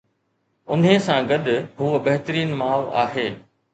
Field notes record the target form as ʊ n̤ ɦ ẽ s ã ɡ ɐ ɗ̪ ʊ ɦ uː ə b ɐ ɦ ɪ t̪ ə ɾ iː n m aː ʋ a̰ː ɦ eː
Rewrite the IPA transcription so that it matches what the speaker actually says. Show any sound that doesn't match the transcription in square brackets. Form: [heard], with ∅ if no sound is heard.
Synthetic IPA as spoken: ʊ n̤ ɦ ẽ s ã ɡ ɐ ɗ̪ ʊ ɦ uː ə b ɐ ɦ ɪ t̪ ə ɾ iː n m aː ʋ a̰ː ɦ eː